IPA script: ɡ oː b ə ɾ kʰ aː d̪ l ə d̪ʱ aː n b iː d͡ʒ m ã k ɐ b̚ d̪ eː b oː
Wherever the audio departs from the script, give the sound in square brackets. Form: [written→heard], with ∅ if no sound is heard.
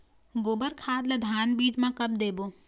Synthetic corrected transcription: ɡ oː b ə ɾ kʰ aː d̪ l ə d̪ʱ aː n b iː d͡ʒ m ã k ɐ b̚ d̪ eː b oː